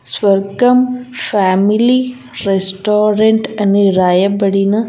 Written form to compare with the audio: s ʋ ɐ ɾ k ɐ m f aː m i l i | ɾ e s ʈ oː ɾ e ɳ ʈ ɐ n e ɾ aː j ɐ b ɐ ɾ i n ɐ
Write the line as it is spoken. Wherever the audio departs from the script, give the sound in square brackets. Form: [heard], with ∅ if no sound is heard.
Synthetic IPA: s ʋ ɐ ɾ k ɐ m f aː m i l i | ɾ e s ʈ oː ɾ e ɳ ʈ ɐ n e ɾ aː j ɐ b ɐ [ɽ] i n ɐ